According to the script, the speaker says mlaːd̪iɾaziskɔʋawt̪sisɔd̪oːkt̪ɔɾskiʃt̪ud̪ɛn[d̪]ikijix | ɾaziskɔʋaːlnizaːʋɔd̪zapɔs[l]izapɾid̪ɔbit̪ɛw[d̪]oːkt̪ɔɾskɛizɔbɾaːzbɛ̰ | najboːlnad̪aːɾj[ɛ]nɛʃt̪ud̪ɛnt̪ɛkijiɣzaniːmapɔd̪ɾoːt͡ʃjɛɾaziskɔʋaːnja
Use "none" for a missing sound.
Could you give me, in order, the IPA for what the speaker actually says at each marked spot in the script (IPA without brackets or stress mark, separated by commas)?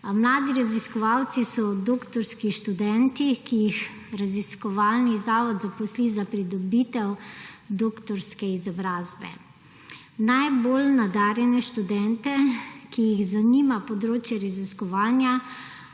t̪, l, d̪, ɛ